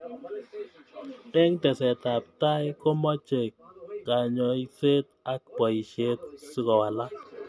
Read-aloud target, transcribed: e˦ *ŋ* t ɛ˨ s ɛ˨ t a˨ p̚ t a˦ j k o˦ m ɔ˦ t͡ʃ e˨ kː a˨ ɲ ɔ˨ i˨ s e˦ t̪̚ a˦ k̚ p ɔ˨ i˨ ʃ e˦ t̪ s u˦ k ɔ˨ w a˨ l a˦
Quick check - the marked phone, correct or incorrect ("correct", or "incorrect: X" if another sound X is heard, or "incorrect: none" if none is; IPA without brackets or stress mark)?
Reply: correct